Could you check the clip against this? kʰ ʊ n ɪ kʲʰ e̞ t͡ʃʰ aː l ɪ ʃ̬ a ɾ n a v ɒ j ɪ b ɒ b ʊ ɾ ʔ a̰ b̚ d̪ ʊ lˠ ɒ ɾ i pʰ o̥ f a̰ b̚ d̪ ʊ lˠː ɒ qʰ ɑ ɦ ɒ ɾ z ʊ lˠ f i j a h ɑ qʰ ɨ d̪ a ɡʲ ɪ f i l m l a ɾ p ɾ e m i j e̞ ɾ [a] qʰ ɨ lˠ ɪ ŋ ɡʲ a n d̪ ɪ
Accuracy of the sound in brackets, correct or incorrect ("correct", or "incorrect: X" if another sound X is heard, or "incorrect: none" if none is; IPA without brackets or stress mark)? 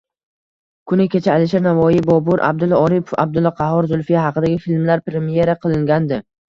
correct